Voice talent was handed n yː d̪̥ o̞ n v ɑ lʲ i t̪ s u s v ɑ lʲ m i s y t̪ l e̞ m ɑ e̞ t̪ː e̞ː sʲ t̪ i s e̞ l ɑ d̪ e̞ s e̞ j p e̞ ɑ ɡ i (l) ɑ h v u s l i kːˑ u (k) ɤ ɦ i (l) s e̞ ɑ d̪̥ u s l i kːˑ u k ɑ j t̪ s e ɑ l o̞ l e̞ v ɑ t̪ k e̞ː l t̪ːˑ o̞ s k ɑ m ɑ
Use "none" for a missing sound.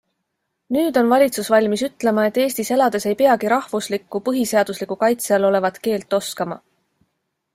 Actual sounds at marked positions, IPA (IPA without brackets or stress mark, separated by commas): ɾ, p, none